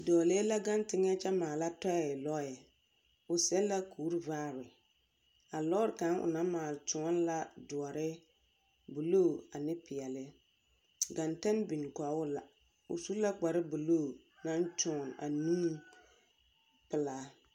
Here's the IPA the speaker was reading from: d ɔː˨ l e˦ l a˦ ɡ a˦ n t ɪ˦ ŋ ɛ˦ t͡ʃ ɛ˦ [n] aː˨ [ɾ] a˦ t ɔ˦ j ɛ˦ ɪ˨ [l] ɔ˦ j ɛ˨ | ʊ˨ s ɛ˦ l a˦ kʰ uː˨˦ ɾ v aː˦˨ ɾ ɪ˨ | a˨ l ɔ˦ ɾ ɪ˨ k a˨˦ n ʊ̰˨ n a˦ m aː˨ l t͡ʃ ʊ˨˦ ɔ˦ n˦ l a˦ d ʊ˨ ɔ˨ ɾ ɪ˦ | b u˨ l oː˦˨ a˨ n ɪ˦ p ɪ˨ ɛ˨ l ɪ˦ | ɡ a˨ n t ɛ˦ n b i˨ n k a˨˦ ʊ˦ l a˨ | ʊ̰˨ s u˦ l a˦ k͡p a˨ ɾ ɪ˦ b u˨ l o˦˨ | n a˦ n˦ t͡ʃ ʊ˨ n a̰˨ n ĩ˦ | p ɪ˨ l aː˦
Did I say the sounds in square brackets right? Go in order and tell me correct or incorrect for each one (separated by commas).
incorrect, incorrect, correct